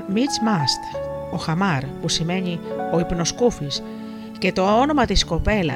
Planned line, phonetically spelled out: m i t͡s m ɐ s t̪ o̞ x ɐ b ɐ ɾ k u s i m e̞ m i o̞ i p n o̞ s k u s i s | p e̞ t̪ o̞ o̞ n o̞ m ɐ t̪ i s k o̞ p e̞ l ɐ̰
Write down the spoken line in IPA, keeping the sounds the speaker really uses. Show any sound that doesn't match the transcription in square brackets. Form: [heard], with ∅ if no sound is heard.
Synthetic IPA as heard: m i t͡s m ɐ s t̪ o̞ x ɐ [m] ɐ ɾ [p] u s i m e̞ [ɲ] i o̞ i p n o̞ s k u [f] i s | [c] e̞ t̪ o̞ o̞ n o̞ m ɐ t̪ i s k o̞ p e̞ l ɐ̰